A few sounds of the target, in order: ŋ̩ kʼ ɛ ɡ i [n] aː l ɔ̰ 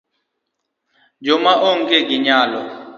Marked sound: incorrect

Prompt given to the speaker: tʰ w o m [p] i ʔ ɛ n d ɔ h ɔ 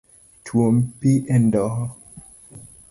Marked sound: correct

